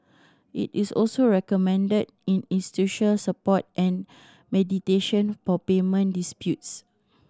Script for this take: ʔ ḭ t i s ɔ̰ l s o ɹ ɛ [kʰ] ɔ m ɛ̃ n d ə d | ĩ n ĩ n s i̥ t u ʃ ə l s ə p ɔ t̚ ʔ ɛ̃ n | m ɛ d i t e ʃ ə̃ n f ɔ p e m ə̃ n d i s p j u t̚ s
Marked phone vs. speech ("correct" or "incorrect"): incorrect